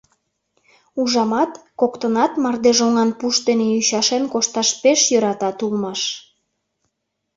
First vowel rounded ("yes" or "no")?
yes